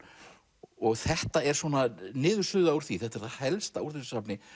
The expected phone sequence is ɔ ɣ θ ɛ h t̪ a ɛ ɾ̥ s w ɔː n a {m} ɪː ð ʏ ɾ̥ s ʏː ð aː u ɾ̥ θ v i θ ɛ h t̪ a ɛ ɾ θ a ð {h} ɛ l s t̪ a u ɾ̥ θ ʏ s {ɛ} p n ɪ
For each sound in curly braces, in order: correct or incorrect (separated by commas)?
incorrect, correct, incorrect